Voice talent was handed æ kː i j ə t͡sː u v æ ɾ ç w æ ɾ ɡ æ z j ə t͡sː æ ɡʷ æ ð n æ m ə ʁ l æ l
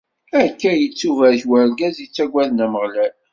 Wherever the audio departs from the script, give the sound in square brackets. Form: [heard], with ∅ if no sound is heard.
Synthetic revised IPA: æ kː [æ] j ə t͡sː u v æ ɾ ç w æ ɾ ɡ æ z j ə t͡sː æ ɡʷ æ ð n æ m ə ʁ l æ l